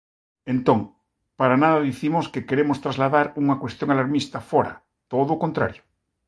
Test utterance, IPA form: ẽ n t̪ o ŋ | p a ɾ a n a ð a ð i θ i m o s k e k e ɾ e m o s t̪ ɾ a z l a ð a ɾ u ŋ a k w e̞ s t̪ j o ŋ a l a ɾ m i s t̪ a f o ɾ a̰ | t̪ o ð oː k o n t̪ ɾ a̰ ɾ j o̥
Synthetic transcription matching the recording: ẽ n t̪ o ŋ | p a ɾ a n a ð a ð i θ i m o s k e k e ɾ e m o s t̪ ɾ a z l a ð a ɾ u ŋ a k w e̞ s t̪ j o ŋ a l a ɾ m i s t̪ a f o ɾ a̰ | t̪ o ð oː k o n t̪ ɾ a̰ ɾ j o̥